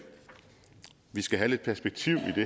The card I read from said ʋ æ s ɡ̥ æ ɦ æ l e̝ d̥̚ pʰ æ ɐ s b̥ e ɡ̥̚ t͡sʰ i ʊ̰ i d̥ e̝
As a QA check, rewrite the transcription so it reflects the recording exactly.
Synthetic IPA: ʋ i s ɡ̥ æ ɦ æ l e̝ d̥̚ pʰ æ ɐ s b̥ e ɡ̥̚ t͡sʰ i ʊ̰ i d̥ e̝